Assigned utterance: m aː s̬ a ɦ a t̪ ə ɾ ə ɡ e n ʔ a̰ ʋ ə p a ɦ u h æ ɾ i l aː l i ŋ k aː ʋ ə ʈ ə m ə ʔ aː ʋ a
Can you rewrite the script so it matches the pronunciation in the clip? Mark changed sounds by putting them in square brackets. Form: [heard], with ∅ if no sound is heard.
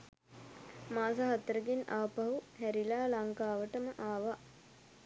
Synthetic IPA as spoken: m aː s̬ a ɦ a t̪ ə ɾ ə ɡ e n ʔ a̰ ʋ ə p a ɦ u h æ ɾ i l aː l [a] ŋ k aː ʋ ə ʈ ə m ə ʔ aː ʋ a